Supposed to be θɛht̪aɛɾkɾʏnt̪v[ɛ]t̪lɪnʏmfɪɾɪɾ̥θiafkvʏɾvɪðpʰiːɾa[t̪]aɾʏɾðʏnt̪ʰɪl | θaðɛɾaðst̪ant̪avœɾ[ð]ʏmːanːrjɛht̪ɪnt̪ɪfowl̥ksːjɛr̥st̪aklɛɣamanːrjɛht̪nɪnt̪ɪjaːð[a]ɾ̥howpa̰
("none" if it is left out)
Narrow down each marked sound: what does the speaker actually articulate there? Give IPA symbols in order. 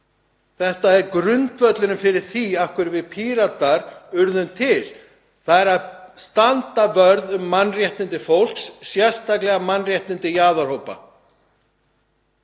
œ, t̪, ð, a

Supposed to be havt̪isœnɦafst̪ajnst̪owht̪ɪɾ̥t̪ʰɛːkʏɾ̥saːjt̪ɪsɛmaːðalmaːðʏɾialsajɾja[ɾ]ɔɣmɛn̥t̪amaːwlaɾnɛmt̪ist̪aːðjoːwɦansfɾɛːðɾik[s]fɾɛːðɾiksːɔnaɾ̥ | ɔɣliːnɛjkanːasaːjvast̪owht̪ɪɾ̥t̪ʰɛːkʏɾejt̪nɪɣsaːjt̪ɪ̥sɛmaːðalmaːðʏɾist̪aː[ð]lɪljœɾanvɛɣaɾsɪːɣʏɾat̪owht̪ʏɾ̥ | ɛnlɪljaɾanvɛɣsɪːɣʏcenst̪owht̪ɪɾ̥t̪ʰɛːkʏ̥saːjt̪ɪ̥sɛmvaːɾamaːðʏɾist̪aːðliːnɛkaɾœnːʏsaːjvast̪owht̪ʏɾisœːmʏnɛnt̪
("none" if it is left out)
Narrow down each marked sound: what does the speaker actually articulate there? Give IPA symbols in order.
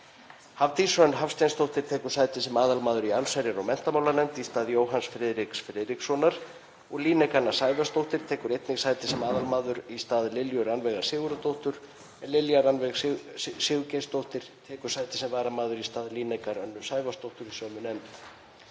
ɾ, s, ð

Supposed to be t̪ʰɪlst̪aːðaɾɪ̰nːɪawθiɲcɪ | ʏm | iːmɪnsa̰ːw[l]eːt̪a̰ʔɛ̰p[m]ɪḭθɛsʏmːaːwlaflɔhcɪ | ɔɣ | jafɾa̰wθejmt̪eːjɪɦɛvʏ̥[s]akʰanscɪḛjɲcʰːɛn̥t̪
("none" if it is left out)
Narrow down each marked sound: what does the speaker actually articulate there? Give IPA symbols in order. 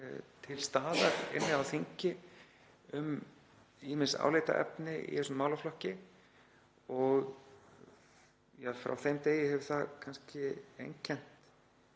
l, n, θ

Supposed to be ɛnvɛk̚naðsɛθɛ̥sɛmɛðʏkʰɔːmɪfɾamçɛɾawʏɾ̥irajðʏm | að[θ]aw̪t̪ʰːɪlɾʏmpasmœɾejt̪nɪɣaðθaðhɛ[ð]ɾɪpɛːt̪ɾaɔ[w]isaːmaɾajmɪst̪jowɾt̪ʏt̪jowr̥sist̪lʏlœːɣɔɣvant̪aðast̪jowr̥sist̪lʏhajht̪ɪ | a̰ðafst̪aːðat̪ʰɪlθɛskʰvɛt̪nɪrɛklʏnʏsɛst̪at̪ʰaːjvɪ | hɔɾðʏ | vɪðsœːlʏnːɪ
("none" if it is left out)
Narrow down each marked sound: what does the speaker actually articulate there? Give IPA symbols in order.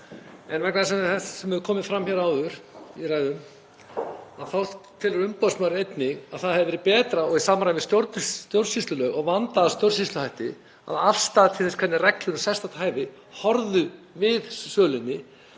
θ, v, ɣ

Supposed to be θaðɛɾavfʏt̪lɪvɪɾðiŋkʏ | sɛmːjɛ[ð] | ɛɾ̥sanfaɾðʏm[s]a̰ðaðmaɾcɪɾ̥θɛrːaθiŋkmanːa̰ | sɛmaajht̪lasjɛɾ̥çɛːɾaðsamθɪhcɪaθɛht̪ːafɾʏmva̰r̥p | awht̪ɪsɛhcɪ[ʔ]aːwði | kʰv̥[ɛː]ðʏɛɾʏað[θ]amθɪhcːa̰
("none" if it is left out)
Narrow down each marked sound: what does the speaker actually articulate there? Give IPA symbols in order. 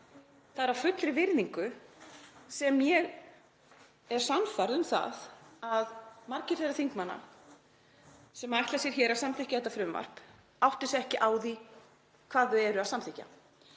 ɣ, θ, ʔ, aː, s

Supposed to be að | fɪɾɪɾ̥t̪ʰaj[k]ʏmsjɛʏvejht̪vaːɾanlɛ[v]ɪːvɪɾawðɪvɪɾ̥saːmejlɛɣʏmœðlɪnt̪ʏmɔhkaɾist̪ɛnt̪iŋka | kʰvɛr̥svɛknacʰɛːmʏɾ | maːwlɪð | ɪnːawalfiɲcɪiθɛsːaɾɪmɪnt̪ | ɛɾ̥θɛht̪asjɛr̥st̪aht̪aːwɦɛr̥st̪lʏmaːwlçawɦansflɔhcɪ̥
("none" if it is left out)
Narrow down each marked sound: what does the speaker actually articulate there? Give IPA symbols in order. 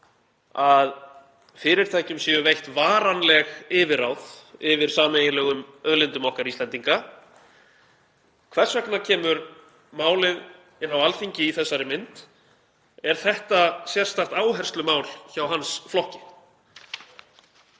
c, ɣ

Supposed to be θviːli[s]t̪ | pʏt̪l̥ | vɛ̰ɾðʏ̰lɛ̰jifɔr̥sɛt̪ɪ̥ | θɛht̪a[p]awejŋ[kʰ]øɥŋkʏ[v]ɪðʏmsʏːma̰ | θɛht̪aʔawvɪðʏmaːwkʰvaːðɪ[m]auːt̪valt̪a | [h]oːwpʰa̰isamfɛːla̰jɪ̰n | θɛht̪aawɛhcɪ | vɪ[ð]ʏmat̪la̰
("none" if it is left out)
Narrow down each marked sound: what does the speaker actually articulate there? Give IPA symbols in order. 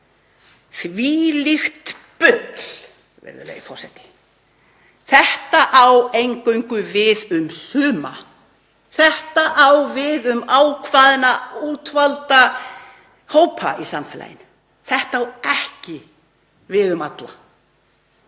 x, ʔ, k, v, n, h, ð

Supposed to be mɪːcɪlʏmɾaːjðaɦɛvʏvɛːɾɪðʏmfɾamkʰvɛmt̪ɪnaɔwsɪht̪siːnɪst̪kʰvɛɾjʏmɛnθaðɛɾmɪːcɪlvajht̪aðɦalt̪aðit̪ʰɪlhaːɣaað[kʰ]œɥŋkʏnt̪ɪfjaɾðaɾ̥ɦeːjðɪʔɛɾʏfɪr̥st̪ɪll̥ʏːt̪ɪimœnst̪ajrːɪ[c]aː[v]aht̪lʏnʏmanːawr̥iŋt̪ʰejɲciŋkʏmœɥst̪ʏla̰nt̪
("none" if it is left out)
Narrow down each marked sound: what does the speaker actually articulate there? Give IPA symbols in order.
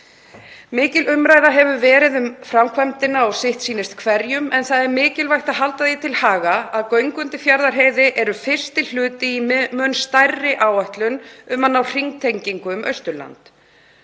k, ʔ, w

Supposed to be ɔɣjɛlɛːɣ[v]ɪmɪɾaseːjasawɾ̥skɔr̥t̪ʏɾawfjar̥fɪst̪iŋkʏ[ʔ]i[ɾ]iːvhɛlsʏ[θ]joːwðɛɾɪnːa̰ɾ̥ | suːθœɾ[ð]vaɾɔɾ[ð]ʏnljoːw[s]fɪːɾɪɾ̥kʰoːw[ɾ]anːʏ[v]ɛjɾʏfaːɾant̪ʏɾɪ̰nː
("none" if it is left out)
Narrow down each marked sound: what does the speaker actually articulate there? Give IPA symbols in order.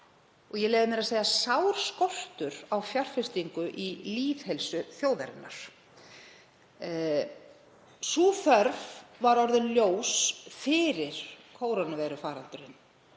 ð, ʔ, l, θ, v, ð, s, ɾ, v

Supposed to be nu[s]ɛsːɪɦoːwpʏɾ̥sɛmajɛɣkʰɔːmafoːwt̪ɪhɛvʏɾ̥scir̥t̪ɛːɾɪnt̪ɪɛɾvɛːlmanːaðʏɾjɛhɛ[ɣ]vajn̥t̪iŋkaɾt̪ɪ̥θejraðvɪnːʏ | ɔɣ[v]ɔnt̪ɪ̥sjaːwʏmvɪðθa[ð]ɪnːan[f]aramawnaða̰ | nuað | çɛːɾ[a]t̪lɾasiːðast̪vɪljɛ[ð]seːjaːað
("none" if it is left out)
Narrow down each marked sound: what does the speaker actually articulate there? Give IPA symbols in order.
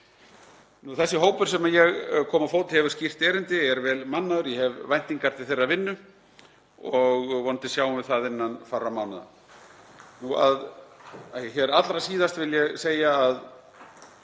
θ, v, v, ð, f, a, ɣ

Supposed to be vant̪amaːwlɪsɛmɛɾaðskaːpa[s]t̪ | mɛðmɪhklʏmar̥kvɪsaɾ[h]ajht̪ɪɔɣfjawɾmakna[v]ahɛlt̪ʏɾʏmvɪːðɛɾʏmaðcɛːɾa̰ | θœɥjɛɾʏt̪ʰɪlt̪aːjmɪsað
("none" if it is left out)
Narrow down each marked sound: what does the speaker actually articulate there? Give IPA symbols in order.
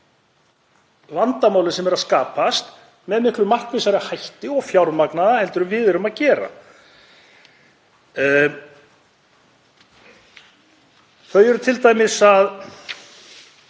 s, h, ð

